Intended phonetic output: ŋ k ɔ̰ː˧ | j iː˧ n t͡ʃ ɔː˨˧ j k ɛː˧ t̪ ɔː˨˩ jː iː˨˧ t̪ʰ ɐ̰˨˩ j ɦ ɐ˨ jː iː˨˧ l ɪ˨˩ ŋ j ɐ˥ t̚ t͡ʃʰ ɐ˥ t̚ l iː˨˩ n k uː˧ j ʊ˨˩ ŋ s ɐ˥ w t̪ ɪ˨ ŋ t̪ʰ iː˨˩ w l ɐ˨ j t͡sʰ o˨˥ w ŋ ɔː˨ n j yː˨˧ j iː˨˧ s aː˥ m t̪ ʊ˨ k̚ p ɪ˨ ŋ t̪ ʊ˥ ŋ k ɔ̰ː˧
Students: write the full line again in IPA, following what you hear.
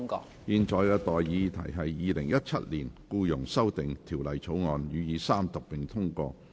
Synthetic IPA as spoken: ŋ k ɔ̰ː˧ | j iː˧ n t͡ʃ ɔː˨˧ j k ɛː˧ t̪ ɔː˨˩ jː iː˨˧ t̪ʰ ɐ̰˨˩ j ɦ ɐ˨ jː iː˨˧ l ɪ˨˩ ŋ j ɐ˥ t̚ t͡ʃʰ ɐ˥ t̚ l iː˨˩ n k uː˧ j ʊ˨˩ ŋ s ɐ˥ w t̪ ɪ˨ ŋ t̪ʰ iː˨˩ w l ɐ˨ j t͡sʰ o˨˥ w ŋ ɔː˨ n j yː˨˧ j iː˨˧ s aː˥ m t̪ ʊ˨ k̚ p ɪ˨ ŋ t̪ʰ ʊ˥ ŋ k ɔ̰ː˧